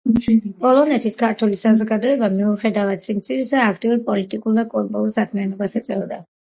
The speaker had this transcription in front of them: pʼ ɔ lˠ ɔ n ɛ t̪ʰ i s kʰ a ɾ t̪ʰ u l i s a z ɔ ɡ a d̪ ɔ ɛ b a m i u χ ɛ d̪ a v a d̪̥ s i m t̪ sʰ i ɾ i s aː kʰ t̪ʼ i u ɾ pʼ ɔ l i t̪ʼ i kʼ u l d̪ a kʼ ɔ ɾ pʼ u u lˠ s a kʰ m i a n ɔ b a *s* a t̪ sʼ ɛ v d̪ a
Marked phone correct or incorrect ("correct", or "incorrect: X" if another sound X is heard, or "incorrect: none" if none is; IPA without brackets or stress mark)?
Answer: correct